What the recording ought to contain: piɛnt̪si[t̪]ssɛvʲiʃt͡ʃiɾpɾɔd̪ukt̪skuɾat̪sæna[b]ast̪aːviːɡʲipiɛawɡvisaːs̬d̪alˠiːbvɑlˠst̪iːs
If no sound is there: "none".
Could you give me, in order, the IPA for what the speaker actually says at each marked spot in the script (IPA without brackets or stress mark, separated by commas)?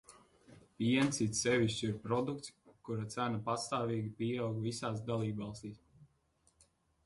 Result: t̪, p